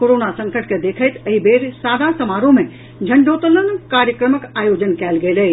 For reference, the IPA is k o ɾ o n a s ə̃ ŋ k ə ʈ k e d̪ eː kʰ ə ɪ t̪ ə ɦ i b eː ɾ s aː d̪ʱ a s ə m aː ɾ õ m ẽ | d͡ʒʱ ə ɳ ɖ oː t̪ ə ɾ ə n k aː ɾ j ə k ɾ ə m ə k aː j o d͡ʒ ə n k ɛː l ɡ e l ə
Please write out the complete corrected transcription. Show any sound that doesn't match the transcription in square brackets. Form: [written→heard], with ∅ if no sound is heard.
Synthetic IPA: k o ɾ o n a s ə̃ ŋ k ə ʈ k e d̪ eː kʰ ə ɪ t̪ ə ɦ i b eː ɾ s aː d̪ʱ a s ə m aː ɾ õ m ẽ | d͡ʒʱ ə ɳ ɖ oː t̪ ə [ɾ→l] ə n k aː ɾ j ə k ɾ ə m ə k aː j o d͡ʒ ə n k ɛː l ɡ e l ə